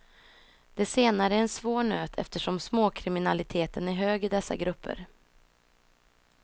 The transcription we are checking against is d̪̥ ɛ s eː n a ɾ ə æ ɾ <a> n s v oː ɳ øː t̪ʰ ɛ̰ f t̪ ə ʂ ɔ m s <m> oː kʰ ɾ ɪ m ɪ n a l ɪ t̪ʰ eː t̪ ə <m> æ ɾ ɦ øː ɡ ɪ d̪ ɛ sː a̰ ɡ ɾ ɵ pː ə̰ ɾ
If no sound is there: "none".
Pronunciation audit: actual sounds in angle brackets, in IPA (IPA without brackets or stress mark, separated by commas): ɛ, m, n